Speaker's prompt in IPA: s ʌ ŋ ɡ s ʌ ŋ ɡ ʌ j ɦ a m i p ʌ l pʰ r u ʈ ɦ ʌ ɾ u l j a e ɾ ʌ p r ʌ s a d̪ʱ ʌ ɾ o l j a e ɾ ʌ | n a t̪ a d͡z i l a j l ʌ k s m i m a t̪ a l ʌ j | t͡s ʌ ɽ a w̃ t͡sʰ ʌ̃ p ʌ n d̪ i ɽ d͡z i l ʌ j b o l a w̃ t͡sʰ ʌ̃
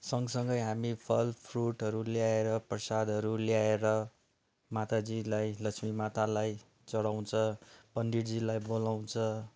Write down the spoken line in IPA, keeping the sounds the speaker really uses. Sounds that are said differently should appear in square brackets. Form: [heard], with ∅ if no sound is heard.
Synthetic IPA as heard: s ʌ ŋ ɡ s ʌ ŋ ɡ ʌ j ɦ a m i [pʰ] ʌ l pʰ r u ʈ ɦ ʌ ɾ u l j a e ɾ ʌ p r ʌ s a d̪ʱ ʌ ɾ [u] l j a e ɾ ʌ | [m] a t̪ a d͡z i l a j l ʌ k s m i m a t̪ a l [a] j | t͡s ʌ ɽ a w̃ t͡sʰ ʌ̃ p ʌ n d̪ i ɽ d͡z i l [a] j b o l a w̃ t͡sʰ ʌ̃